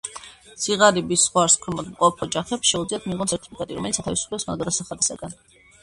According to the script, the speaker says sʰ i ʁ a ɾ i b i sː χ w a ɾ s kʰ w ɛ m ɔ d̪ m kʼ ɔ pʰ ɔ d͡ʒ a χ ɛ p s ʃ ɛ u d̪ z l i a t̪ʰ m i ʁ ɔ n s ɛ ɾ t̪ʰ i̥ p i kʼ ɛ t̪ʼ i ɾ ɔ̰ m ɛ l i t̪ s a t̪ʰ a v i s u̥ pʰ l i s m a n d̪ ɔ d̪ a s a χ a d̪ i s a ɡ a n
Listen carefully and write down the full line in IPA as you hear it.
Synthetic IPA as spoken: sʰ i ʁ a ɾ i b i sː χ w a ɾ s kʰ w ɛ m ɔ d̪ m qʼ ɔ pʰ ɔ d͡ʒ a χ ɛ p s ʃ ɛ u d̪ z l i a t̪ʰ m i ʁ ɔ n s ɛ ɾ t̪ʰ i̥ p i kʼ ɛ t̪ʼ i ɾ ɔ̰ m ɛ l i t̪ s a t̪ʰ a v i s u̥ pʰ l ɛ s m a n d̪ ɔ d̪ a s a χ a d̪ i s a ɡ a n